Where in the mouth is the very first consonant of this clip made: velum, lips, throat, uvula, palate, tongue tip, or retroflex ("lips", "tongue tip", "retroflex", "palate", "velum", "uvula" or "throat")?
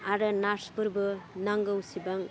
tongue tip